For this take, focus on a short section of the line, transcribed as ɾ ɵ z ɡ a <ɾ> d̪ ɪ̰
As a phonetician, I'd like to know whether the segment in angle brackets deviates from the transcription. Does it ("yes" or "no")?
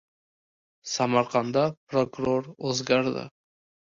no